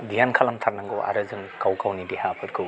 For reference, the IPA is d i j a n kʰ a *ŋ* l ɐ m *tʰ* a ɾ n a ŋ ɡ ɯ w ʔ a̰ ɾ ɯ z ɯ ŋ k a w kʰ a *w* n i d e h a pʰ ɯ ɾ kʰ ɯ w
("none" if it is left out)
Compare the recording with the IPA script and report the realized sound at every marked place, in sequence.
none, tʰ, w

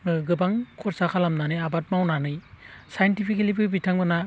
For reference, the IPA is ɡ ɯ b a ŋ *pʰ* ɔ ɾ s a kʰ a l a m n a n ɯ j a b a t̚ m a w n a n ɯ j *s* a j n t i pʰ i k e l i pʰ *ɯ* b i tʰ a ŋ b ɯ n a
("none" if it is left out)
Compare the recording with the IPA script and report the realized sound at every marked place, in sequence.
kʰ, s, ɯ

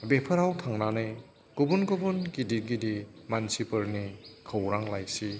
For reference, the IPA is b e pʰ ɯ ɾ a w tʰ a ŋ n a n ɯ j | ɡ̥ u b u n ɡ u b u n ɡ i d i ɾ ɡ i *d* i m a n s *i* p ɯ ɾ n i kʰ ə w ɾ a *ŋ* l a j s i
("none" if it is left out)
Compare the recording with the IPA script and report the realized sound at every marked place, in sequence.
d, i, ŋ

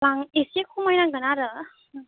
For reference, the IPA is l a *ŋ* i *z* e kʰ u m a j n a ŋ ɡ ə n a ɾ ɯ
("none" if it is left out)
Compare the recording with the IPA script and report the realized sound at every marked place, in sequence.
ŋ, s

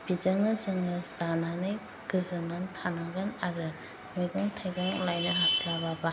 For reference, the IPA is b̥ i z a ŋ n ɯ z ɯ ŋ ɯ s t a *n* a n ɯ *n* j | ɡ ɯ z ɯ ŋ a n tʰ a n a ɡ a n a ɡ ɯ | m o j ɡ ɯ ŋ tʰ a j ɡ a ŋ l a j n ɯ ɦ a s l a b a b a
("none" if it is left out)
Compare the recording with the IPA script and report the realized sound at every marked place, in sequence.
n, none

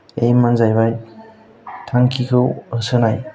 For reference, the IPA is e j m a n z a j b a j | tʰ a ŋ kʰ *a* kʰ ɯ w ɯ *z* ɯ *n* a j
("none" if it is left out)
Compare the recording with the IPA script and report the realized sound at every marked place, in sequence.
i, s, n

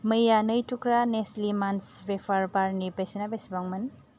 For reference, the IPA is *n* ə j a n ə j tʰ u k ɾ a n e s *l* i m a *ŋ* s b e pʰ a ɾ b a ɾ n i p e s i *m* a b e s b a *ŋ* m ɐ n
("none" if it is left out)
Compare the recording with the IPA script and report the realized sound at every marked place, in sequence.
m, l, n, n, ŋ

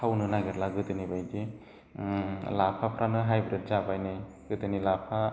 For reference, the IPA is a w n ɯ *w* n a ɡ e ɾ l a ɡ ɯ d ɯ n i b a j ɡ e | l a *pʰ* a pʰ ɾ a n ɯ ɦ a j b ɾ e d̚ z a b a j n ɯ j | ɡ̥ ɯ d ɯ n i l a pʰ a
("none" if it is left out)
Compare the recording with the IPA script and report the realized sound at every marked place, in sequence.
none, pʰ

